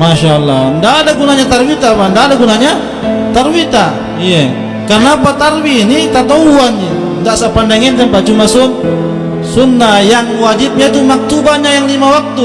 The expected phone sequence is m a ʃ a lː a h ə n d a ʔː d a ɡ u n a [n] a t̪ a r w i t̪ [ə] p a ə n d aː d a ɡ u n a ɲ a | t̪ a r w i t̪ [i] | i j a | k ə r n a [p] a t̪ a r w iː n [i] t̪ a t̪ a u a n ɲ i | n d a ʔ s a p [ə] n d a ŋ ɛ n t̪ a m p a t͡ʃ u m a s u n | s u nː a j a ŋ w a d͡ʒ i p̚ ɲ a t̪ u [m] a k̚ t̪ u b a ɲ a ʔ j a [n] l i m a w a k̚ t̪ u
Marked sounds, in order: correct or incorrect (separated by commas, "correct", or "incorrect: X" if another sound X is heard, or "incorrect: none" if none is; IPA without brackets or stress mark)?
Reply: incorrect: ɲ, incorrect: a, incorrect: a, correct, correct, incorrect: a, correct, incorrect: ŋ